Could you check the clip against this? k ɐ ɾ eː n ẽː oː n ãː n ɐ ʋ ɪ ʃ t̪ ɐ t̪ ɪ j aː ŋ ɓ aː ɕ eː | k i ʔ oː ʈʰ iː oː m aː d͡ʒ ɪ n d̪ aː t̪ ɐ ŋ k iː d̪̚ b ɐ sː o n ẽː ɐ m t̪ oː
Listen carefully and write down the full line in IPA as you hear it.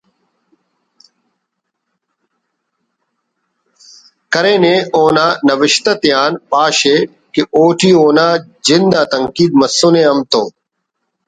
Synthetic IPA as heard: k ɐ ɾ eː n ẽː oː n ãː n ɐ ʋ ɪ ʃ t̪ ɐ t̪ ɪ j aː n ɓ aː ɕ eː | k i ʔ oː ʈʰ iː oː n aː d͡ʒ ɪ n d̪ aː t̪ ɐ ŋ k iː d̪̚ m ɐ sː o n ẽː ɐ m t̪ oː